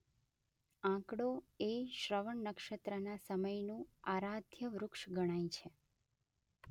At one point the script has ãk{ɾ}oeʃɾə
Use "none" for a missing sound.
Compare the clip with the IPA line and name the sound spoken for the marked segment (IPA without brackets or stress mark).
ɽ